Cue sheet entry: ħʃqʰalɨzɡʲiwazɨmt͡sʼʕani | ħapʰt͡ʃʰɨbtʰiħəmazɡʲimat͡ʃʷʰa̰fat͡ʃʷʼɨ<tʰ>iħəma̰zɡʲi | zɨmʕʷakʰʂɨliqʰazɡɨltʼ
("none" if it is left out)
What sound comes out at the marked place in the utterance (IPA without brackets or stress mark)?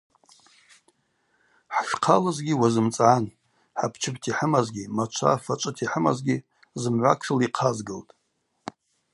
tʰ